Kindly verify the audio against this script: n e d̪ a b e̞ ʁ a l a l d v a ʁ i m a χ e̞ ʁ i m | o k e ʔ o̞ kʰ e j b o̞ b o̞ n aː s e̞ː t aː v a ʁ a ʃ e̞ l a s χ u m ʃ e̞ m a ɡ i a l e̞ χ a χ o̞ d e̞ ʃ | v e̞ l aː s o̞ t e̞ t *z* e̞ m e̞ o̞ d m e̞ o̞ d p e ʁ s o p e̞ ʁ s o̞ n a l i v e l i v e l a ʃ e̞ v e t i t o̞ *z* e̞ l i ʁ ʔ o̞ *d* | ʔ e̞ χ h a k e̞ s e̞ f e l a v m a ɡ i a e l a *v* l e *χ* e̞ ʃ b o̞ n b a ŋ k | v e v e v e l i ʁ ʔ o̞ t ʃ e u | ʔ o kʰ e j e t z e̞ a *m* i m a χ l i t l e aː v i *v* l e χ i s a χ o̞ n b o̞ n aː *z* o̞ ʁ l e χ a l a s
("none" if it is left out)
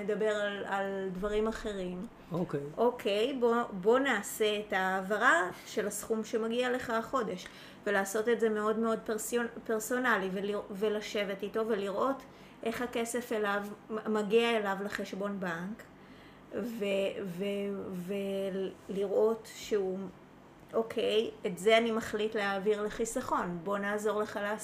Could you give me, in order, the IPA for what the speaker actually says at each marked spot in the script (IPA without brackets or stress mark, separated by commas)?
z, v, t, v, χ, n, ʁ, z